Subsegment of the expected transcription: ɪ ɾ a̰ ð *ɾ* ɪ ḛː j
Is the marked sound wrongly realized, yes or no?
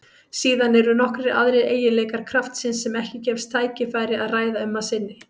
no